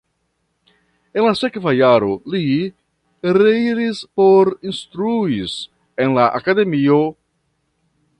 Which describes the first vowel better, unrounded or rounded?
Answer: unrounded